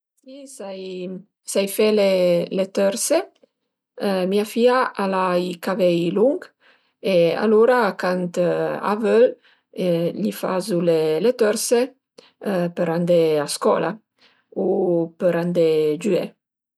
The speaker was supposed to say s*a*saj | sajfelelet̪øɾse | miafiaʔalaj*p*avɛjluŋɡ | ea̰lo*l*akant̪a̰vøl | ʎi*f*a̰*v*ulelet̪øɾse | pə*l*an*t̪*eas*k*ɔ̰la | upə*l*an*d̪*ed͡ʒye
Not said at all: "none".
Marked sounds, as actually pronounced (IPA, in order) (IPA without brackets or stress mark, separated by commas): i, k, ɾ, f, z, ɾ, d̪, k, ɾ, d̪